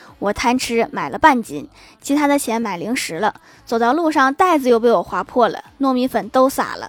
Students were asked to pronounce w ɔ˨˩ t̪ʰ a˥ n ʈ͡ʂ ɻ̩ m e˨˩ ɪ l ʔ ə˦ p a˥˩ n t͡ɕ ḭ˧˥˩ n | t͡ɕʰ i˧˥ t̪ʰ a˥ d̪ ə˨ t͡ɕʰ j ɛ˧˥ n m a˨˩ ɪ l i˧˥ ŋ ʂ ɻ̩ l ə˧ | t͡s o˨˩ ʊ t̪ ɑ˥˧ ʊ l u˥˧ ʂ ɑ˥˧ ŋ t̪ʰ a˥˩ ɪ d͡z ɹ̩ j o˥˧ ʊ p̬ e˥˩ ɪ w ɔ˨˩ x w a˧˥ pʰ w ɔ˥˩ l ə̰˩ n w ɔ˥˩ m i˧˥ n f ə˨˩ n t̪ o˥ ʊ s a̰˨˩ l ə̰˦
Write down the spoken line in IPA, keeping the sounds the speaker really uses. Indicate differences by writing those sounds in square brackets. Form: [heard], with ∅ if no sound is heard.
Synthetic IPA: w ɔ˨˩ t̪ʰ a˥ n [ʈ͡ʂʰ] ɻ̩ m [a˨˩] ɪ l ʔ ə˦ p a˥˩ n t͡ɕ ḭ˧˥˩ n | t͡ɕʰ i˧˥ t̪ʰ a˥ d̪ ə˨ t͡ɕʰ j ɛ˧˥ n m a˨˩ ɪ l i˧˥ ŋ ʂ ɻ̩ l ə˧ | t͡s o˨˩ ʊ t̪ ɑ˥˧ ʊ l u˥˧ ʂ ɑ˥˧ ŋ [t̪] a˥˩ ɪ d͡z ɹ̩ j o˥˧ ʊ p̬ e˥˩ ɪ w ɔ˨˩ x w a˧˥ pʰ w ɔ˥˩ l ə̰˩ n w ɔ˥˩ m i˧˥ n f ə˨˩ n t̪ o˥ ʊ s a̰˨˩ l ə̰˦